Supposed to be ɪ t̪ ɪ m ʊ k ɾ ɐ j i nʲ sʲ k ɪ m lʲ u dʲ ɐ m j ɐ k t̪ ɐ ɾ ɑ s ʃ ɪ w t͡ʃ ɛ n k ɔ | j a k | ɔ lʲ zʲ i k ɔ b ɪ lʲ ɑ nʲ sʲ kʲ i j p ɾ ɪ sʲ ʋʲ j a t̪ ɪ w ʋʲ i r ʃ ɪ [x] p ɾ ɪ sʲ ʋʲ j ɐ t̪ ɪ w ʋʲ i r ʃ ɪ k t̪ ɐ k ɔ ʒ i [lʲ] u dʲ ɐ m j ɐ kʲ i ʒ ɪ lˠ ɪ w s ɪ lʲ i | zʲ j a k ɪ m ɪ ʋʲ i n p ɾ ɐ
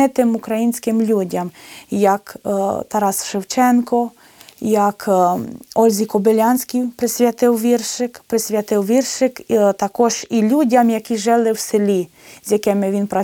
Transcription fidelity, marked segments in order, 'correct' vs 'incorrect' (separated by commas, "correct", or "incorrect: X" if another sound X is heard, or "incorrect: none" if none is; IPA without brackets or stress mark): incorrect: k, correct